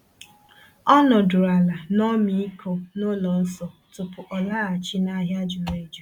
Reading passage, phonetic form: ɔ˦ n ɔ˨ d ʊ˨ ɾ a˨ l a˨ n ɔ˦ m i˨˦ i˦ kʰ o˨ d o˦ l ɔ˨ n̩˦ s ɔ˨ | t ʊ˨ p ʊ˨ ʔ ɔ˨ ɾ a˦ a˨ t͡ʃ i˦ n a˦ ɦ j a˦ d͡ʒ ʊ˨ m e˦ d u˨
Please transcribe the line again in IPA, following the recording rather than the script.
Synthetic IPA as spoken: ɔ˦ n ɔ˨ d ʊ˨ ɾ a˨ l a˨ n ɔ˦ m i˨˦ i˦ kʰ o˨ n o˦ l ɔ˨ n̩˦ s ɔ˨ | t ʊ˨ p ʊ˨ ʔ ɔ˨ l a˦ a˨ t͡ʃ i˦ n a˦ ɦ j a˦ d͡ʒ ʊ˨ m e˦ d͡ʒ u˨